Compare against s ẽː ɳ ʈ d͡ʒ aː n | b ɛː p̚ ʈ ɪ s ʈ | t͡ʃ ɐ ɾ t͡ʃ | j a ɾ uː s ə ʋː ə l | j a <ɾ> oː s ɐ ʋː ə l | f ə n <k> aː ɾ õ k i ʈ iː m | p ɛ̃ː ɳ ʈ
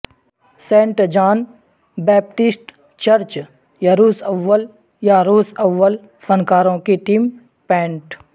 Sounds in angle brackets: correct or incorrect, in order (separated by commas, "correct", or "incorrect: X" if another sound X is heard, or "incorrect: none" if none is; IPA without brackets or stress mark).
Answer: correct, correct